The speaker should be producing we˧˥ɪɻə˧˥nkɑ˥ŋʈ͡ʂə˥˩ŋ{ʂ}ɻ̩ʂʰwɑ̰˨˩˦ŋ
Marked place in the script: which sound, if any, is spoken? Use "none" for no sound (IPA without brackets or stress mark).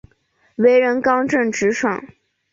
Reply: ʈ͡ʂ